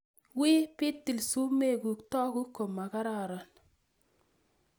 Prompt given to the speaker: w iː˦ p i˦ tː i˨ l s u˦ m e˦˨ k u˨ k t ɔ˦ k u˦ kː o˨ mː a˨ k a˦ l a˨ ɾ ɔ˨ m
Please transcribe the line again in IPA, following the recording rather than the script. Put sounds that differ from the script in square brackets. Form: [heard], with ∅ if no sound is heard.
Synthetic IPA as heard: w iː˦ p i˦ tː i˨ l s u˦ m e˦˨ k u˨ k t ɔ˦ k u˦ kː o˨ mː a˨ k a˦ [ɾ] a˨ ɾ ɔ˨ [n]

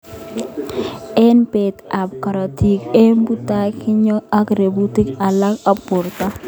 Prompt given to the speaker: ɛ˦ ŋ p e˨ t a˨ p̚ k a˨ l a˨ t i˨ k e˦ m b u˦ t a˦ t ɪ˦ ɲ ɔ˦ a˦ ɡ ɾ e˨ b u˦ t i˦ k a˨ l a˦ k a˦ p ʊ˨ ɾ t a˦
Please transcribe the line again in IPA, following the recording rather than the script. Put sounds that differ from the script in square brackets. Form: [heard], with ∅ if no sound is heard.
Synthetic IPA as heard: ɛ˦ [n] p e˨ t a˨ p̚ k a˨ [ɾ] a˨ t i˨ k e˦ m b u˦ t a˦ [k] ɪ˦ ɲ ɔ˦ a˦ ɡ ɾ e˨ b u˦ t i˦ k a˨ l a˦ k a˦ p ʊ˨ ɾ t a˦

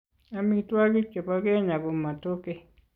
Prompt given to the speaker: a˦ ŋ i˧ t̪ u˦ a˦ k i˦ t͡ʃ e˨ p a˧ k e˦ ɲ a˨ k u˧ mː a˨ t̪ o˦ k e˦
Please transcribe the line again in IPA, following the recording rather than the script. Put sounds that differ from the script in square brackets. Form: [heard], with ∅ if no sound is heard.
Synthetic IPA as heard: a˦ [m] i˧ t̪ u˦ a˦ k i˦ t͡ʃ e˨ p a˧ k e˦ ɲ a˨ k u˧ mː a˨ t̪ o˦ k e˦

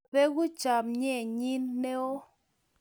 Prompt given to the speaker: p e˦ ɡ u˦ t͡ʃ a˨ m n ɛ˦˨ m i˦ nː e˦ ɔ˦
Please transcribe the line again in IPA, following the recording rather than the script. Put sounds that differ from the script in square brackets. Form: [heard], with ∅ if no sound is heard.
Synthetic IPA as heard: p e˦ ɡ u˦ t͡ʃ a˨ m [ɲ] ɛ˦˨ [ɲ] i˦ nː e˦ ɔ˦

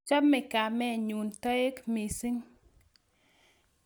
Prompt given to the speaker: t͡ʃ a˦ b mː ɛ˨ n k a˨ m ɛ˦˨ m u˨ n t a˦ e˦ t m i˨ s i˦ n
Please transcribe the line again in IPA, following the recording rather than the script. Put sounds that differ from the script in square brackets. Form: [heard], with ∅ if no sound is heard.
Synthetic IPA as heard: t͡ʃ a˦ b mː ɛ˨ [∅] k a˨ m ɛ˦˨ [ɲ] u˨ n t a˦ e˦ [k] m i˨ s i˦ [ŋ]

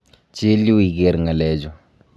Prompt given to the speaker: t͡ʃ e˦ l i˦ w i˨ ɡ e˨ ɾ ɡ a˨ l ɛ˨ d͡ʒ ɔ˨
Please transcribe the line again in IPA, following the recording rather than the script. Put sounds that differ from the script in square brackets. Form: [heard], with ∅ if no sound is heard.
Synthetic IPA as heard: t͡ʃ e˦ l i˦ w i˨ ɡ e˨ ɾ [ŋ] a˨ l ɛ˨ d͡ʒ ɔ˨

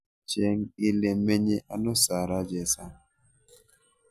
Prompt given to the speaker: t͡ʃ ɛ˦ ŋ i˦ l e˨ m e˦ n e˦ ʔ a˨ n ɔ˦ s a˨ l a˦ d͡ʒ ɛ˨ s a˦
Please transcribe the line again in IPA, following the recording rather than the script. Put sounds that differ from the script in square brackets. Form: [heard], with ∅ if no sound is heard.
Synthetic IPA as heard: t͡ʃ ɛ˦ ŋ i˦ l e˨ m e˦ [ɲ] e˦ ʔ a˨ n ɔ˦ s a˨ [ɾ] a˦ d͡ʒ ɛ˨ s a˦

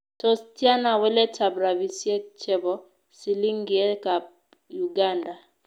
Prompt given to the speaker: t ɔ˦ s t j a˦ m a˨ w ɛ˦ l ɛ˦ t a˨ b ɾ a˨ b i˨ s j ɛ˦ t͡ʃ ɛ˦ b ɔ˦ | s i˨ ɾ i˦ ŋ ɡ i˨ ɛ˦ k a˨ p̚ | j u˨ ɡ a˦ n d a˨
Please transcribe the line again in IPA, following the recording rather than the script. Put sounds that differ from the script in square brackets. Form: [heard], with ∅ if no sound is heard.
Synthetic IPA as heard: t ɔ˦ s t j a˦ [n] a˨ w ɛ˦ l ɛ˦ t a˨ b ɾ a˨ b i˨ s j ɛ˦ t͡ʃ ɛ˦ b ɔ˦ | s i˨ [l] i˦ ŋ ɡ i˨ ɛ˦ k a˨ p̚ | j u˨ ɡ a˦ n d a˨

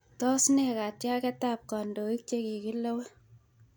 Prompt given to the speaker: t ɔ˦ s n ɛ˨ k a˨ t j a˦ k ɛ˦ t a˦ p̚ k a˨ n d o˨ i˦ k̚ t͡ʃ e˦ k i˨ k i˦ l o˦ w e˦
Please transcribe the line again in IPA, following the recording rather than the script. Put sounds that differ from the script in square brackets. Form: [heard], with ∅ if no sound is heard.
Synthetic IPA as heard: t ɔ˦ s n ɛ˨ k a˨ t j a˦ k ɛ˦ t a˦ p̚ k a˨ n d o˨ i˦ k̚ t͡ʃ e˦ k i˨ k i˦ l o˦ w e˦

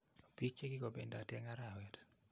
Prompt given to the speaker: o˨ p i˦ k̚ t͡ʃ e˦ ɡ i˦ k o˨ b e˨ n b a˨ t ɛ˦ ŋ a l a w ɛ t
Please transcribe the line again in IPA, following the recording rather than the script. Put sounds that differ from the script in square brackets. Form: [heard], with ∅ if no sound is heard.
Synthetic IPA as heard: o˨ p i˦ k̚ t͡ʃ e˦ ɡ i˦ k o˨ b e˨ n [d] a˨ t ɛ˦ ŋ a [ɾ] a w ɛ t

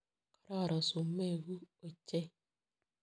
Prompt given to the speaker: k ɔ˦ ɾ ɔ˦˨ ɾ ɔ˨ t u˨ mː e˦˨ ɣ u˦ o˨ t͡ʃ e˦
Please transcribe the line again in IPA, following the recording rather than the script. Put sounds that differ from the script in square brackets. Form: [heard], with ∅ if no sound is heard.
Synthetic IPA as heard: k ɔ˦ ɾ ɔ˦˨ ɾ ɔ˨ [s] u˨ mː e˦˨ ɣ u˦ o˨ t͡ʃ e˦

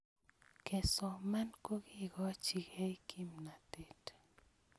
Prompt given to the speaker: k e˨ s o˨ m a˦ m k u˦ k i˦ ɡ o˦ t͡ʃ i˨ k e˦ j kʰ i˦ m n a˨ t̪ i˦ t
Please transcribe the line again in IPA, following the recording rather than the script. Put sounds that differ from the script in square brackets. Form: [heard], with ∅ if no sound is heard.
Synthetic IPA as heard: k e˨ s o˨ m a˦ [n] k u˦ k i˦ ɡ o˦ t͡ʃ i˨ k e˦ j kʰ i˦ m n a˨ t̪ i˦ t

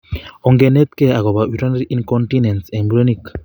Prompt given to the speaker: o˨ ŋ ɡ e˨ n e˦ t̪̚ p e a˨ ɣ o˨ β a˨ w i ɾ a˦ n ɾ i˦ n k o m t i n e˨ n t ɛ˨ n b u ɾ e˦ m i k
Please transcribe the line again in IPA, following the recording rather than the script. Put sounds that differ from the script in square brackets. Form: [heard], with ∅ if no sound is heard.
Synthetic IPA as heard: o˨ ŋ ɡ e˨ n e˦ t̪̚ [k] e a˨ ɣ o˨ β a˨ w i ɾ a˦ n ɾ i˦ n k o [n] t i n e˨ n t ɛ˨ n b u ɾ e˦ [n] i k

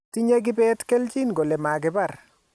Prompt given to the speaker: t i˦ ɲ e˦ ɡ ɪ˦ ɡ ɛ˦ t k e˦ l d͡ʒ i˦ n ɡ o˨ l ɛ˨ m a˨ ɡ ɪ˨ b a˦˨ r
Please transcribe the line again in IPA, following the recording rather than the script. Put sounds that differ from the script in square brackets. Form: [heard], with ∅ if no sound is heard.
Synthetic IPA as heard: t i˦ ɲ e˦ ɡ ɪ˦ [b] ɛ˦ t k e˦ l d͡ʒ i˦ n ɡ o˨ l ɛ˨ m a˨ ɡ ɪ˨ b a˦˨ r

